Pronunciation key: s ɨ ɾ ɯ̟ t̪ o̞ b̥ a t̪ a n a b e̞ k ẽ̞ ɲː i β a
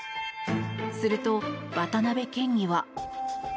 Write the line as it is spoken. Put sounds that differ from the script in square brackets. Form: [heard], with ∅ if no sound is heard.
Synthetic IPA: s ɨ ɾ ɯ̟ t̪ o̞ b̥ a t̪ a n a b e̞ k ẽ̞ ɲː i β a